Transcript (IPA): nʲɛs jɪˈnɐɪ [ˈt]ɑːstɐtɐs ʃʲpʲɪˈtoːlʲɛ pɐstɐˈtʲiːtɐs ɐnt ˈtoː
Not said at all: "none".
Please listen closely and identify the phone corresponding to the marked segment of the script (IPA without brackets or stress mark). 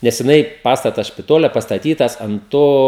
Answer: p